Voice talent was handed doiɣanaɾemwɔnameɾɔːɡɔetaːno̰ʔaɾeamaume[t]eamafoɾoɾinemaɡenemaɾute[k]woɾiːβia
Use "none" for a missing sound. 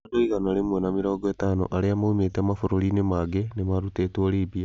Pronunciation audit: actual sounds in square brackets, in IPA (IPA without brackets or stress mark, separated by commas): t, t